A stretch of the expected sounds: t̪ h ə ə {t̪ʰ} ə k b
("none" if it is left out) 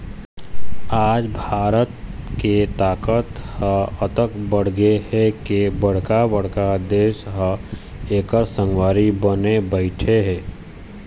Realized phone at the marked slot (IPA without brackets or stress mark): t̪